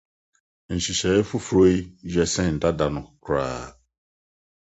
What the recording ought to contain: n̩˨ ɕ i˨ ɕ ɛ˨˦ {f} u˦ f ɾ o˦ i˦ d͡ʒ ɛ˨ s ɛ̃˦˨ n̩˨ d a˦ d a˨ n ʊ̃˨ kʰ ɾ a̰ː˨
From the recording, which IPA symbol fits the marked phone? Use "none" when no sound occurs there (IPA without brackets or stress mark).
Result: f